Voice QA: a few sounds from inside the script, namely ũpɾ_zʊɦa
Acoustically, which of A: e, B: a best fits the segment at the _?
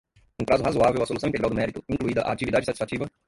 B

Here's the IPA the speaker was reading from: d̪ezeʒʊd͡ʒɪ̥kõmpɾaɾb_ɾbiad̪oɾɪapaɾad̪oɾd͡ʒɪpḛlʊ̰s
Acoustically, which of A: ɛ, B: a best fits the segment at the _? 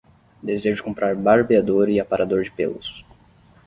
B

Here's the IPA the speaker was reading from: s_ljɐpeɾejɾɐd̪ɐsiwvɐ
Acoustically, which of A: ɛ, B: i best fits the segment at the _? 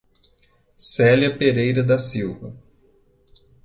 A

